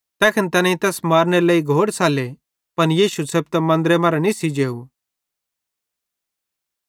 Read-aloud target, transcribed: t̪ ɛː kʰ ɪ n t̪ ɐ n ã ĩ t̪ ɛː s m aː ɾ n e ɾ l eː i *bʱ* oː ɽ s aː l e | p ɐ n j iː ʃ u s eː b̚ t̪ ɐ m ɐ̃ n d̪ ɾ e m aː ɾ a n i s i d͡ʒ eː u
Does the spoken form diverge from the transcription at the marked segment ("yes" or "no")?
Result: yes